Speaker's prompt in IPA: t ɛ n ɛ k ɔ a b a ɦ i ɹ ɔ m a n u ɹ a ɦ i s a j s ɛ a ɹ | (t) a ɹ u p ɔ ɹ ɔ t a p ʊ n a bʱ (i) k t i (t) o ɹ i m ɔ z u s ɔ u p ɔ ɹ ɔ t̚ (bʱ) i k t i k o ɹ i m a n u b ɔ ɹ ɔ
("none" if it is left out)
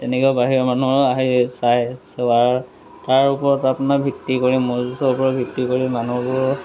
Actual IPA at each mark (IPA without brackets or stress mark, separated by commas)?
t, i, k, bʱ